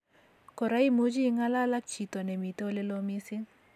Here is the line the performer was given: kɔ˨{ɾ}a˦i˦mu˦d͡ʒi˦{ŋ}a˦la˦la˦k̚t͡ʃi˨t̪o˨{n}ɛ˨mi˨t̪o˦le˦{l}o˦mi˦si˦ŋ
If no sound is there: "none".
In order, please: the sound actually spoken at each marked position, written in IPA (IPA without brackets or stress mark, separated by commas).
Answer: ɾ, ŋ, n, l